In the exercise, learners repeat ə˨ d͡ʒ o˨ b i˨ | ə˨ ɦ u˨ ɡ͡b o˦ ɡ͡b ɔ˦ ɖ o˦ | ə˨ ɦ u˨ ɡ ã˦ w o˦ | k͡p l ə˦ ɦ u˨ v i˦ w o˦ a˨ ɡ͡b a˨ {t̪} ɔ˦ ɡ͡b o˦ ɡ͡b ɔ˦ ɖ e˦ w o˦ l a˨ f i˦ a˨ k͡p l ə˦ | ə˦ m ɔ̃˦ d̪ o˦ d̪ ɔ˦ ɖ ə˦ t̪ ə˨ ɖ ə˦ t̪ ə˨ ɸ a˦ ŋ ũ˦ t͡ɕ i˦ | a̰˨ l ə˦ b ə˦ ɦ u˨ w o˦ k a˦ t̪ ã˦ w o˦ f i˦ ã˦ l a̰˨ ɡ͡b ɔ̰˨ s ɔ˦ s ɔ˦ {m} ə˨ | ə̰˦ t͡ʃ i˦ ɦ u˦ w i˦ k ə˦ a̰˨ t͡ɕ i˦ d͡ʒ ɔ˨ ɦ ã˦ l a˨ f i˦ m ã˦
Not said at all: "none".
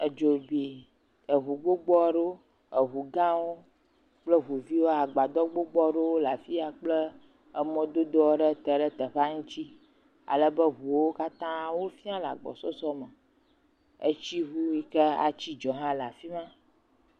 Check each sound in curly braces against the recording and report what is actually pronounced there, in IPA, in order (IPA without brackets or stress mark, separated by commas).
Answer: d̪, m